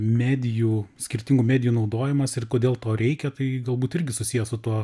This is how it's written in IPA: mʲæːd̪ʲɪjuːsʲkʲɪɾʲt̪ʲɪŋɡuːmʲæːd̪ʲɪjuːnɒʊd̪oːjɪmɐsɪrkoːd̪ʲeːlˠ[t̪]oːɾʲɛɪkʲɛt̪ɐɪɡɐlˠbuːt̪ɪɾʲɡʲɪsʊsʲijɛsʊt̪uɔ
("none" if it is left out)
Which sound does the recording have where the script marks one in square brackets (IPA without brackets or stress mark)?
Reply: t̪